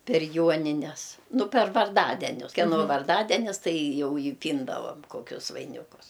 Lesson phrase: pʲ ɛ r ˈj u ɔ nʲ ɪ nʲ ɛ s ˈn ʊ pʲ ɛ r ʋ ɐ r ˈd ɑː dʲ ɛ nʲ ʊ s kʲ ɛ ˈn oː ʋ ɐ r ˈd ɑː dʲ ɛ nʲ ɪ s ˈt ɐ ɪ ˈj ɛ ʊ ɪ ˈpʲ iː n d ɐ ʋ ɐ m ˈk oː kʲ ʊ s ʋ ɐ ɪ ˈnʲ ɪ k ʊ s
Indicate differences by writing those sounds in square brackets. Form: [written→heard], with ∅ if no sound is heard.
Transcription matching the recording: pʲ ɛ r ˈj u ɔ nʲ ɪ nʲ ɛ s ˈn ʊ pʲ ɛ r ʋ ɐ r ˈd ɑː dʲ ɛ nʲ ʊ s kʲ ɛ ˈn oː ʋ ɐ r ˈd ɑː dʲ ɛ nʲ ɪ s ˈt ɐ ɪ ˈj ɛ ʊ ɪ ˈpʲ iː n d ɐ ʋ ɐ m ˈk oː kʲ ʊ s ʋ ɐ ɪ ˈnʲ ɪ k ʊ s